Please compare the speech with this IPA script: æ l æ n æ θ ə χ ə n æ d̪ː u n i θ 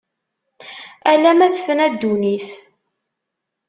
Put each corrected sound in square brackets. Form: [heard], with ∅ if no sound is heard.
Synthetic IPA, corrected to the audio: æ l æ [m] æ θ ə [f] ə n æ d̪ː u n i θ